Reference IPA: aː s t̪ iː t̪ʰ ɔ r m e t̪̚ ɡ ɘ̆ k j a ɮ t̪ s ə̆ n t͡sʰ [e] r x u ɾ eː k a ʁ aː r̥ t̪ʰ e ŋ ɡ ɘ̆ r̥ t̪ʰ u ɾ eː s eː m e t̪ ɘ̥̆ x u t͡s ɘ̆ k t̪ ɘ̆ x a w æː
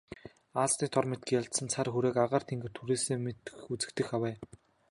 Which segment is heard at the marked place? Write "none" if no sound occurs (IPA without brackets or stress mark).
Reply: a